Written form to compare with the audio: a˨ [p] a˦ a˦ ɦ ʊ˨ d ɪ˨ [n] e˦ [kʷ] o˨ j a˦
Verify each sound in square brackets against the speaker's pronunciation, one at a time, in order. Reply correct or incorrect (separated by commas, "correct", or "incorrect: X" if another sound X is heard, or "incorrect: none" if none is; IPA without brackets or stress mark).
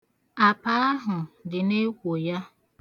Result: correct, correct, correct